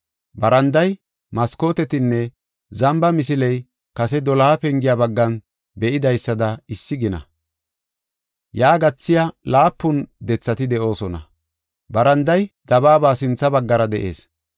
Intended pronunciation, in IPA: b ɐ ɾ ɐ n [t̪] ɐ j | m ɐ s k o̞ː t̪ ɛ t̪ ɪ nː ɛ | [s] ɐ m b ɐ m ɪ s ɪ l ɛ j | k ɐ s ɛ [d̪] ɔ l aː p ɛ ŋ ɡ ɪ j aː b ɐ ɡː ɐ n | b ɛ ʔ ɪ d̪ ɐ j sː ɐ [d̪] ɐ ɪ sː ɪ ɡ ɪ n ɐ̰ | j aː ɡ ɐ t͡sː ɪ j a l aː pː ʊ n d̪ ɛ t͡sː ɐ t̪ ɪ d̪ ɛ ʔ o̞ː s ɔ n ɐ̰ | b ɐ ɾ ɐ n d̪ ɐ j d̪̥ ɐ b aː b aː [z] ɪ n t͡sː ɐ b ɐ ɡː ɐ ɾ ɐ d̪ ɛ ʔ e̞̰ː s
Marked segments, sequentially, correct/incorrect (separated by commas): incorrect, incorrect, correct, correct, incorrect